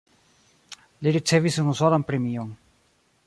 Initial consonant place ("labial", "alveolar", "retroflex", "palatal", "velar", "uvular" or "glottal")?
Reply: alveolar